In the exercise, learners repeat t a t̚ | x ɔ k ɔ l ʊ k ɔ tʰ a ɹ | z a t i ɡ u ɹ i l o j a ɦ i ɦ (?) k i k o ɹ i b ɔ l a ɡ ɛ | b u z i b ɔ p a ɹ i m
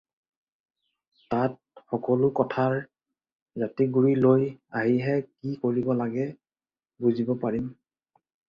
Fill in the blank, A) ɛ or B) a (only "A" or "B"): A